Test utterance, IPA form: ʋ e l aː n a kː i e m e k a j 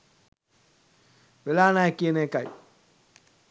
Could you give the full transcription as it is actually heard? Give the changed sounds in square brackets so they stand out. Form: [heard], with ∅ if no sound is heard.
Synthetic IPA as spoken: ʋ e l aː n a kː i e [n] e k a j